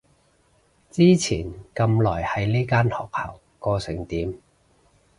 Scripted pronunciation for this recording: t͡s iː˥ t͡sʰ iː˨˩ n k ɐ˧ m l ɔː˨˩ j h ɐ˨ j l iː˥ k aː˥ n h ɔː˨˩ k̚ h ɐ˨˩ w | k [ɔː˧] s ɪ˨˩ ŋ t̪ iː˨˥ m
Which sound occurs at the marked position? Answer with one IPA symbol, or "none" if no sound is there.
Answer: ɔː˧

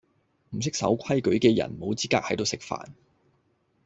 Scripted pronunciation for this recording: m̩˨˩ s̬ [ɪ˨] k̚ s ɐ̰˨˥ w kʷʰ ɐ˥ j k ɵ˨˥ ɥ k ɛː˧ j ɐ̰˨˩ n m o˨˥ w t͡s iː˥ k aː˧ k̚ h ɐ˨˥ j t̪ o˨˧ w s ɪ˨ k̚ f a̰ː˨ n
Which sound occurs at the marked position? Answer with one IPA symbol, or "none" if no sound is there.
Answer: ɪ˥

